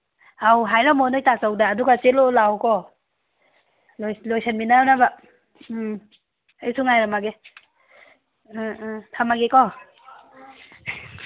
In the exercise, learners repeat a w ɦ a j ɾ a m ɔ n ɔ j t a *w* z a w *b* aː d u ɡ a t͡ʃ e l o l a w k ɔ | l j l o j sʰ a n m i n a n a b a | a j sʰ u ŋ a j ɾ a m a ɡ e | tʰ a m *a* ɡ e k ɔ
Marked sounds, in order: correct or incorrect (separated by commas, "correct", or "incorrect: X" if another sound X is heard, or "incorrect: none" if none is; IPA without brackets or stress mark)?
incorrect: none, incorrect: d, correct